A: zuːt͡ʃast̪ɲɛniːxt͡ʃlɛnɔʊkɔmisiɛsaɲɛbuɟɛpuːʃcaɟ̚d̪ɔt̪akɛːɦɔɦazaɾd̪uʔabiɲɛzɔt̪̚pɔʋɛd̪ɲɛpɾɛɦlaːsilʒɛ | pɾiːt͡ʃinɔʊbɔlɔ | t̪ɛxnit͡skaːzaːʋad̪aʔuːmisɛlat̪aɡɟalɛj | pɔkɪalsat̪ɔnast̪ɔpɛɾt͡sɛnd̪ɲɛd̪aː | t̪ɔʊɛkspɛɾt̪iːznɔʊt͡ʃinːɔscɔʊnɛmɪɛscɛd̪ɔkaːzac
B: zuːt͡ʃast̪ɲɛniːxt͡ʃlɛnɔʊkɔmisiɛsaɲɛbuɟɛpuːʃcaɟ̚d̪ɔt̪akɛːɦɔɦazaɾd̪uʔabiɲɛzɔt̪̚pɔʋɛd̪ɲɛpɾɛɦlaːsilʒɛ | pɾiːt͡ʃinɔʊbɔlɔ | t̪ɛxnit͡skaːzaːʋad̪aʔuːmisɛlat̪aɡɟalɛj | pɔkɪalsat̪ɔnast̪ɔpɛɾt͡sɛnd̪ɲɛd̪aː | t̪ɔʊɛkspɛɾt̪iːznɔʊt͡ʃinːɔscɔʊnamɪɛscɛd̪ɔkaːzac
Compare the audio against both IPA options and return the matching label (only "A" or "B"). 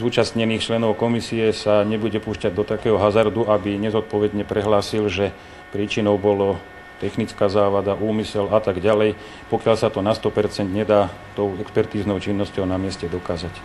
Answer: B